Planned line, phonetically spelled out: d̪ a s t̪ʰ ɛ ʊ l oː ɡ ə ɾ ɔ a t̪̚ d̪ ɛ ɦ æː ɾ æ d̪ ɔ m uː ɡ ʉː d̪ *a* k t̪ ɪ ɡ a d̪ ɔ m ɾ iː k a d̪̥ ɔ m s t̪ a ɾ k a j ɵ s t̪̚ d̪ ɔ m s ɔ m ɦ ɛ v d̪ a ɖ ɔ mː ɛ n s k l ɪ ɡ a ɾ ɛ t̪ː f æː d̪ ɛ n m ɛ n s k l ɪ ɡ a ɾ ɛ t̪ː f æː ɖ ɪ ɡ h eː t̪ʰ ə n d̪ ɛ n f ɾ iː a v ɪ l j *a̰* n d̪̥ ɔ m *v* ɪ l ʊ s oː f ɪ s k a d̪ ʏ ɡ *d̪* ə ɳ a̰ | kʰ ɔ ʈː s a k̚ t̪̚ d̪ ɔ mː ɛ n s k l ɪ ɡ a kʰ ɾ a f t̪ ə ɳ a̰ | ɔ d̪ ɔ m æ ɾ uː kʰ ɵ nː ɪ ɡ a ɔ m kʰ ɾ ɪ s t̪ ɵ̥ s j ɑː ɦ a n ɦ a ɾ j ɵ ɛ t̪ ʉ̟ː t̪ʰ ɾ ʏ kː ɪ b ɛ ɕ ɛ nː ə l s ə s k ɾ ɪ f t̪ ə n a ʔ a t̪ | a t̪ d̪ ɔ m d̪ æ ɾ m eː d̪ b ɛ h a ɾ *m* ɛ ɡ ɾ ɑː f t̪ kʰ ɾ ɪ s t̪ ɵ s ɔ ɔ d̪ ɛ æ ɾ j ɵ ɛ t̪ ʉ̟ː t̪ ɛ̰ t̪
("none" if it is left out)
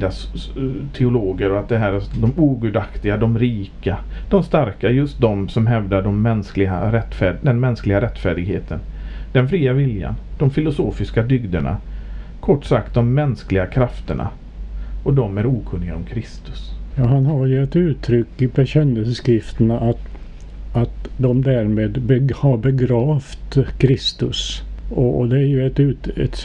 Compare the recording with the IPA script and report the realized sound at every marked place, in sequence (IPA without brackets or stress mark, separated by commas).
a, a̰, f, d̪, b